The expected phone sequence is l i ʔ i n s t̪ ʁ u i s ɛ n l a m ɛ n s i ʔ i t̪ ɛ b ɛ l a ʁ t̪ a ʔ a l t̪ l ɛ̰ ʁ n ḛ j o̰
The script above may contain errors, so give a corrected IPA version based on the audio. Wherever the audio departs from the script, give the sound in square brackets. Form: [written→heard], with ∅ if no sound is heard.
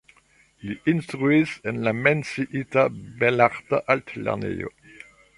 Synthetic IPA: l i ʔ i n s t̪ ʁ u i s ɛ n l a m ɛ n s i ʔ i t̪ [ɛ→a] b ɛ l a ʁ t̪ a ʔ a l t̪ l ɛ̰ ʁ n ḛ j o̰